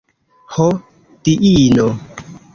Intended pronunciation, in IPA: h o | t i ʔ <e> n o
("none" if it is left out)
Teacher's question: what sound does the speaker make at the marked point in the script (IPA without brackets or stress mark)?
i